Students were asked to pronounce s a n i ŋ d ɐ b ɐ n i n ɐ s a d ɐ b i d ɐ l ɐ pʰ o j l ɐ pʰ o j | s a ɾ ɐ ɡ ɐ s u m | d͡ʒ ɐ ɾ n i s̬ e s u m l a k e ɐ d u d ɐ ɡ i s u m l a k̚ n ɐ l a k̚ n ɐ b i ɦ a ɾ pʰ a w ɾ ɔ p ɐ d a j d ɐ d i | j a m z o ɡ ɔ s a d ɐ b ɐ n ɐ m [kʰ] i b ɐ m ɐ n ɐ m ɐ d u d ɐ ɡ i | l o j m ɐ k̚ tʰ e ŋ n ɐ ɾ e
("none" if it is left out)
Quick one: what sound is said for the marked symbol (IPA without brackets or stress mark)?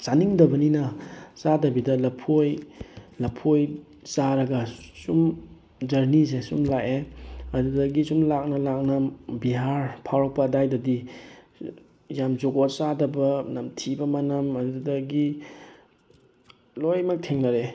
tʰ